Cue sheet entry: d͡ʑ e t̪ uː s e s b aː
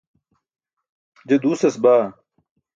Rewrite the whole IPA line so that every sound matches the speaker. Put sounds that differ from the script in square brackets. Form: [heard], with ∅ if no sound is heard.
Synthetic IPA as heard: d͡ʑ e [d̪] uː s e s b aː